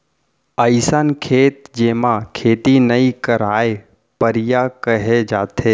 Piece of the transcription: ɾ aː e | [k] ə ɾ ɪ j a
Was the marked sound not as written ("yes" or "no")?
yes